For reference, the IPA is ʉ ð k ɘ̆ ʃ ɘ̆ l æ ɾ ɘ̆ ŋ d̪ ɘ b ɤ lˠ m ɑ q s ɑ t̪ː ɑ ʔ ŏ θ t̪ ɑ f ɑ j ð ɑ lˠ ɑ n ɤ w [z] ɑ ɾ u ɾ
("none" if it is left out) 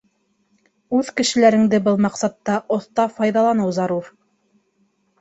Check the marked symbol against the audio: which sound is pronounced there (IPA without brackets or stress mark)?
z